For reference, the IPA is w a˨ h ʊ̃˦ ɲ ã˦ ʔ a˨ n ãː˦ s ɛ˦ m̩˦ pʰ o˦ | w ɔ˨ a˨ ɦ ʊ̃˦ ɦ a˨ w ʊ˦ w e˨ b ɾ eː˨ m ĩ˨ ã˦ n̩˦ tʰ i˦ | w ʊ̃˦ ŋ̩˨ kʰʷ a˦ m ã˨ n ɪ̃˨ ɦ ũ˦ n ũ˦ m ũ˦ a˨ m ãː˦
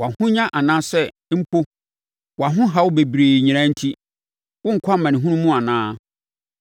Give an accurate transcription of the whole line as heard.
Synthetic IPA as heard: w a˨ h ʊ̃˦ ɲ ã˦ ʔ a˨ n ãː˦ s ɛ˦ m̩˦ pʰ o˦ | w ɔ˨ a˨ ɦ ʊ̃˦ ɦ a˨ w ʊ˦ b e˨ b ɾ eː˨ ɲ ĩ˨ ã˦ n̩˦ tʰ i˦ | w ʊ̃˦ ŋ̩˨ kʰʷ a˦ m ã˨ n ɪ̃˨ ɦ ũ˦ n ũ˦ m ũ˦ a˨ n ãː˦